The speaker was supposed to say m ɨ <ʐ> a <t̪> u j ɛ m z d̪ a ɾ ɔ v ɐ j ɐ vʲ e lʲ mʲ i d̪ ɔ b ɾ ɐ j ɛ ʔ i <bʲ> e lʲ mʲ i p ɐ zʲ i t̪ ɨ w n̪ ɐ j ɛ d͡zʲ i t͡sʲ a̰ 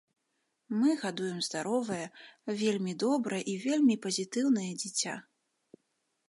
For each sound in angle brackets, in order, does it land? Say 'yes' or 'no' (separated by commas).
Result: no, no, no